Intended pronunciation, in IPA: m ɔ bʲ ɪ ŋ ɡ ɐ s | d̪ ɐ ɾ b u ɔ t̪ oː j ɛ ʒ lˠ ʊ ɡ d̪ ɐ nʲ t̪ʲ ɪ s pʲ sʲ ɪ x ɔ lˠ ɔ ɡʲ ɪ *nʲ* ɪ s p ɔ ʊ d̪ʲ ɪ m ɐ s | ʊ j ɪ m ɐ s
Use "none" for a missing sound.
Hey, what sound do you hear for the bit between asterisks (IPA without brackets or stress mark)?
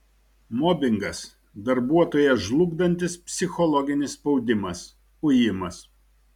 nʲ